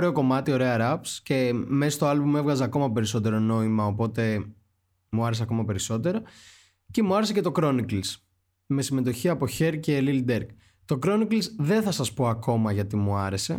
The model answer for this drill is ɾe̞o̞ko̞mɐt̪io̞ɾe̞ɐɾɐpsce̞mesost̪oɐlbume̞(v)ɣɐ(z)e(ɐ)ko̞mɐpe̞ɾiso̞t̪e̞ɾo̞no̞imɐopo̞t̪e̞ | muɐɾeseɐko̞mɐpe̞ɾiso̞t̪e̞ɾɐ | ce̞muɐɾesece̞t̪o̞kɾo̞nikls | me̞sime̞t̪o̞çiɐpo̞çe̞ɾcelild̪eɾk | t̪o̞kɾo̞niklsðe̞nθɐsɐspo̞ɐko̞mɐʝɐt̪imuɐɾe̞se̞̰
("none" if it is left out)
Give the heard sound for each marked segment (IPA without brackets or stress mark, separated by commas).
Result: v, z, ɐ